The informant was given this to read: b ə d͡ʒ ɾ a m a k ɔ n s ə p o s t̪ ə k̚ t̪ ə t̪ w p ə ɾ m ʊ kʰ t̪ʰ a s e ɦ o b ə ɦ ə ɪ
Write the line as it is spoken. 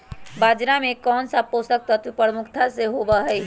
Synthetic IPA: b a d͡ʒ ɾ a m e k ɔ n s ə p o s t̪ ə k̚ t̪ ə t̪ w p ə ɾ m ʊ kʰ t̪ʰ a s e ɦ o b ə ɦ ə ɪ